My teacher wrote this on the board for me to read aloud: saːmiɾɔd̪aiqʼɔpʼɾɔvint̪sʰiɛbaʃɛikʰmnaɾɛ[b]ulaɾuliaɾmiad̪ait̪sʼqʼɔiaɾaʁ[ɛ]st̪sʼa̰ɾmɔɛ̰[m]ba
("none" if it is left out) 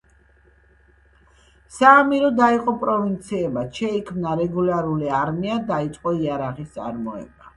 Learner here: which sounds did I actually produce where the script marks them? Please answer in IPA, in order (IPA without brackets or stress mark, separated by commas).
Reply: ɡ, i, none